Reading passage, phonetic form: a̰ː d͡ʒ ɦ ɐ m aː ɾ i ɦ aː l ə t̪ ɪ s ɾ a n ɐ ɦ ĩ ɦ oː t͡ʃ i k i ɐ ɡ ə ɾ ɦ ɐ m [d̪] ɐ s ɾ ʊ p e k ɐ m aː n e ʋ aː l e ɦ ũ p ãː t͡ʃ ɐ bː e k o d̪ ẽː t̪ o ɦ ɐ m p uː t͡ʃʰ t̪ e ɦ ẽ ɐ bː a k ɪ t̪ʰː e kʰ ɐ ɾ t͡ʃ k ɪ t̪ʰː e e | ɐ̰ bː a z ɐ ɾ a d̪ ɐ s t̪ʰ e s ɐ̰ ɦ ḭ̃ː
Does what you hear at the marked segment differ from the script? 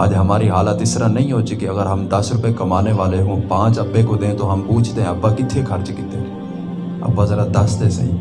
no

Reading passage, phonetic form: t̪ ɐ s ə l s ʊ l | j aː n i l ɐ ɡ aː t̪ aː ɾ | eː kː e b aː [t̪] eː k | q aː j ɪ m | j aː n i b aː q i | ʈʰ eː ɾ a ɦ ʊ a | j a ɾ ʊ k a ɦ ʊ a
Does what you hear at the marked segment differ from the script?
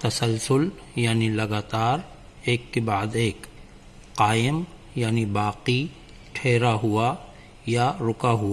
yes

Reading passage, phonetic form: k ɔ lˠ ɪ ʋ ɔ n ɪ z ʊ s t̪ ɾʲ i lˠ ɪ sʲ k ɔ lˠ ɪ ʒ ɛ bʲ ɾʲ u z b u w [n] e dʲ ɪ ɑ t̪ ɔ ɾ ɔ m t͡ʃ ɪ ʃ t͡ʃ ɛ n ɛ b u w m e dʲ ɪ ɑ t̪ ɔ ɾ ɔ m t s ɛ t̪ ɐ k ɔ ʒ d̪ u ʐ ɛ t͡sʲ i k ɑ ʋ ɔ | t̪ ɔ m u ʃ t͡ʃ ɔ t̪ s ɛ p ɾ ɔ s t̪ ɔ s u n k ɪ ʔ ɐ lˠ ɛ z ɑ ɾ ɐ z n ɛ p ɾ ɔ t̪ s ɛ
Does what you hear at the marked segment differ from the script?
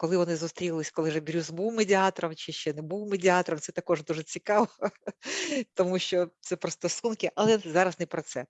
yes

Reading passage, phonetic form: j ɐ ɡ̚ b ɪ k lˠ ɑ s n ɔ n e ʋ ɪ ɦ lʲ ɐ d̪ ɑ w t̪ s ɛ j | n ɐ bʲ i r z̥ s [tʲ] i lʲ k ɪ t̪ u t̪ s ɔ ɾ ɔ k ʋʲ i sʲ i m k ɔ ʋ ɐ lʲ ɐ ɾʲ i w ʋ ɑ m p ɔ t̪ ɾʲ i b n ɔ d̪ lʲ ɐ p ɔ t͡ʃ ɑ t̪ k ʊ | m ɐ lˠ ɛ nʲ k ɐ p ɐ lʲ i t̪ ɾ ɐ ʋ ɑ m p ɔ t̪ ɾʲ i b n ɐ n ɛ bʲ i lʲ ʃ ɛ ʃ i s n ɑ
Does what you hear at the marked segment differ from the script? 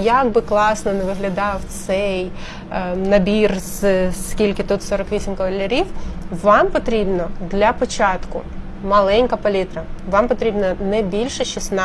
yes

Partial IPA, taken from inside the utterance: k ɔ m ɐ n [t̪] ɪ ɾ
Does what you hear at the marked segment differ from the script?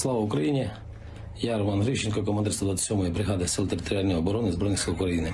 yes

